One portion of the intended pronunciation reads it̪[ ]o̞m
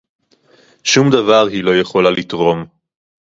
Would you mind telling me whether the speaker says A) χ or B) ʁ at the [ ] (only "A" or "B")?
B